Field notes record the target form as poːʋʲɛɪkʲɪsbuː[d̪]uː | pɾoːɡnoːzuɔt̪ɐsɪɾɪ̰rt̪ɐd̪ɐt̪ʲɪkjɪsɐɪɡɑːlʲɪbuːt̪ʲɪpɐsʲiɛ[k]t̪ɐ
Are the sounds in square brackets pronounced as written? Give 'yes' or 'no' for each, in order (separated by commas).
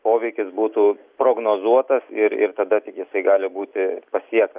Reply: no, yes